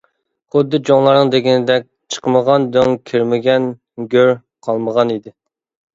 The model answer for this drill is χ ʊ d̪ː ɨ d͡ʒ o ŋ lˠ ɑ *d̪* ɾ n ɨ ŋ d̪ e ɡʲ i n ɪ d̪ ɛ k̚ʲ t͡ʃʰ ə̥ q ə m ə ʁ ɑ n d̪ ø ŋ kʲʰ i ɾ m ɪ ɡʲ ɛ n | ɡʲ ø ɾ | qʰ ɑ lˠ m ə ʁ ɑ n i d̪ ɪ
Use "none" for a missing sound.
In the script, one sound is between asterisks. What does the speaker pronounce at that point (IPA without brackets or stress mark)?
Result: none